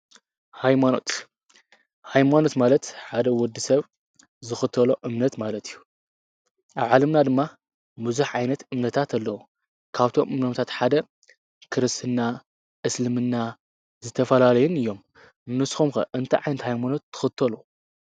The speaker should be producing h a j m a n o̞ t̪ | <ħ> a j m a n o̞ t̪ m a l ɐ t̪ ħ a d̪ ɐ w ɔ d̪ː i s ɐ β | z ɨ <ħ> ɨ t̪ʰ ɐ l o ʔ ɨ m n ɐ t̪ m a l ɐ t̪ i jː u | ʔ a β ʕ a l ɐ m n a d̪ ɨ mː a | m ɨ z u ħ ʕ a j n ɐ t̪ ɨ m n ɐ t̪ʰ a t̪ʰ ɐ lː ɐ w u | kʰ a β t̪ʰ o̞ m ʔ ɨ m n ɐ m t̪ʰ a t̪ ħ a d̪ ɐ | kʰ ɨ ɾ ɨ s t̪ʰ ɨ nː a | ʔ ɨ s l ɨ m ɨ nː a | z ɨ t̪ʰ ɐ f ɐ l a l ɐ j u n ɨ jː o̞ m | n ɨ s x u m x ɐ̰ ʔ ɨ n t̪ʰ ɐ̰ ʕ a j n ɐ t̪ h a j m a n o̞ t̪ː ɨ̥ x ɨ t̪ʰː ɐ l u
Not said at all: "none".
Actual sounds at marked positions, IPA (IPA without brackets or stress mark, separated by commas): h, x